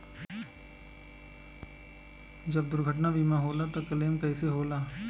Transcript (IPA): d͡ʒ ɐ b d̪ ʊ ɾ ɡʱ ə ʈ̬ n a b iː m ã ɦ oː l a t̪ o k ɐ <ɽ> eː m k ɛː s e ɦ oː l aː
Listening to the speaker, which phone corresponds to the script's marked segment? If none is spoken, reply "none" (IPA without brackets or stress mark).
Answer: l